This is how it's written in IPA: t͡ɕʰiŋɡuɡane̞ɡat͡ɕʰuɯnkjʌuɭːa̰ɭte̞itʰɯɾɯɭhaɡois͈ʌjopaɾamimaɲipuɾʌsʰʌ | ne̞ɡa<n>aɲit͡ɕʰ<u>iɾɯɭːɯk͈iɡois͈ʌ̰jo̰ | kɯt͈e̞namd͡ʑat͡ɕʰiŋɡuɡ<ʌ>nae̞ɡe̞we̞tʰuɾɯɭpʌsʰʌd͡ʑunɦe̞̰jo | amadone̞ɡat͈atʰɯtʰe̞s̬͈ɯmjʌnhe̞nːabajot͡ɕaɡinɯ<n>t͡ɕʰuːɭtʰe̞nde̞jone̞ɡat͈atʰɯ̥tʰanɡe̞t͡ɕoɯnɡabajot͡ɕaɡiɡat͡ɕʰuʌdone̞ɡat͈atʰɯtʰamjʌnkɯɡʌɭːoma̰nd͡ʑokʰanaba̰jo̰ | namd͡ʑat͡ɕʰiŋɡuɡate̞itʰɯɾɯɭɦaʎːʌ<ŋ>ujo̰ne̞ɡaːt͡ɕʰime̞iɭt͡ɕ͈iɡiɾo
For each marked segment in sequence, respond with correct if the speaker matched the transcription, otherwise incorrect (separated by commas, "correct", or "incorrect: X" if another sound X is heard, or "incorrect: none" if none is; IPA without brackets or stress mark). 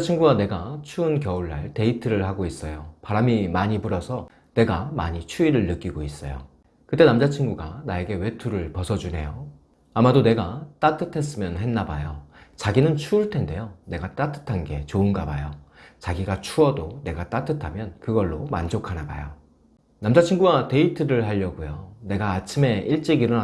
incorrect: m, correct, incorrect: a, correct, incorrect: ɡ